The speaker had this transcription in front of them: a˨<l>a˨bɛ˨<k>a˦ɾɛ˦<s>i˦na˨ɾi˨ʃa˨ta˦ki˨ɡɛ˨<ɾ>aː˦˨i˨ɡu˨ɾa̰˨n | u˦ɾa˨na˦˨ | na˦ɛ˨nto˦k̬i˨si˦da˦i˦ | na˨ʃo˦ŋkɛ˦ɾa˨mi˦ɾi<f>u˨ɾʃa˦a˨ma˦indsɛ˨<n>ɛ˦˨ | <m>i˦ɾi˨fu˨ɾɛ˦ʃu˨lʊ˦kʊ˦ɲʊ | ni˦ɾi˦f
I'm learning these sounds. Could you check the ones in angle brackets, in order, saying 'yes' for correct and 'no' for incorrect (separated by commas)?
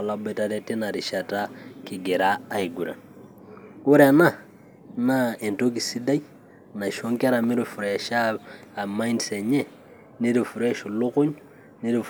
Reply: yes, no, no, yes, yes, no, no